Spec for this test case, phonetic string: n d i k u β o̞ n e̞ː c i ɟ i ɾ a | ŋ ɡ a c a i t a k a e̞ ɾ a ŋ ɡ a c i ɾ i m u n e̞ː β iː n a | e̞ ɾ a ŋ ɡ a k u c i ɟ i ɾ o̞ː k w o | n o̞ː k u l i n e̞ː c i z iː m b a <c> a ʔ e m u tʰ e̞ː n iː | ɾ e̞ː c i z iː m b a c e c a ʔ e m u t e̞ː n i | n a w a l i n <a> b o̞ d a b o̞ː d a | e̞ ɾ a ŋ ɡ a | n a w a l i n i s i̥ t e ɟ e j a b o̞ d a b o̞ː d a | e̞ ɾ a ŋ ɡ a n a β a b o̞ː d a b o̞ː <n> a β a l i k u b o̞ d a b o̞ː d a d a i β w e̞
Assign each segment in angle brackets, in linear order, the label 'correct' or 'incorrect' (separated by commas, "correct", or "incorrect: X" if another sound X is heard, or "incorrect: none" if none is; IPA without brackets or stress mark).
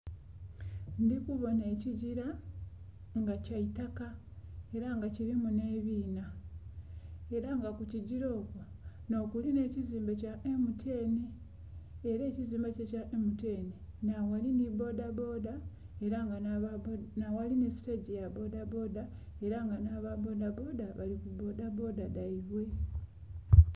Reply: correct, incorrect: i, incorrect: d